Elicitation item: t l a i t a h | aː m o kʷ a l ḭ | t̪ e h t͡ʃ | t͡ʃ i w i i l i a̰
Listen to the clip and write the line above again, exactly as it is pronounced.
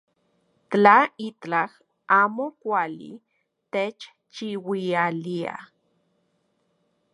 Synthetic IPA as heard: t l a i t a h | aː m o kʷ a l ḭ | t̪ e t͡ʃ | t͡ʃ i w i a l i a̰